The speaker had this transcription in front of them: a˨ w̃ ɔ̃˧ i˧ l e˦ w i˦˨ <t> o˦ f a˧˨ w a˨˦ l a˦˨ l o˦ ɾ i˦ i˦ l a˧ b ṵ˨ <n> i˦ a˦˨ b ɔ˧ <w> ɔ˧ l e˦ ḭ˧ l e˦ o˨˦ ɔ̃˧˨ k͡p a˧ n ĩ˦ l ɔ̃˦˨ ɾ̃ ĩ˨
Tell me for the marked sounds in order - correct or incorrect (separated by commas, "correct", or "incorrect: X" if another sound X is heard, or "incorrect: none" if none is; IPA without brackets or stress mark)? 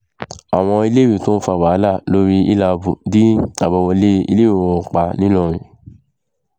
correct, incorrect: d, correct